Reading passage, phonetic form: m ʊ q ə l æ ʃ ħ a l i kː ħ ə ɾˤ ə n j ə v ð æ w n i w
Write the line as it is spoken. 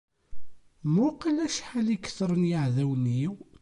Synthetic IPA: m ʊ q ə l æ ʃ ħ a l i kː θ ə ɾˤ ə n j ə ʕ ð æ w n i w